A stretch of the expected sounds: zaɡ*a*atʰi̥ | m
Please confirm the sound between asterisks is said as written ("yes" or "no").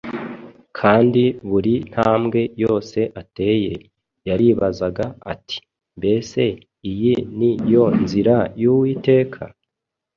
yes